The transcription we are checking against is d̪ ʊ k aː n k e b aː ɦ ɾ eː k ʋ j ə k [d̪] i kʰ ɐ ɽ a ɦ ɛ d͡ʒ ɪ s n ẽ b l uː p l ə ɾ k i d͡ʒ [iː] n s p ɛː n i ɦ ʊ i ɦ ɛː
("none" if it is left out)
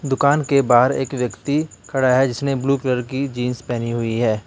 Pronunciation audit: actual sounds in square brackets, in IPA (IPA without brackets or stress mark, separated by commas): t̪, iː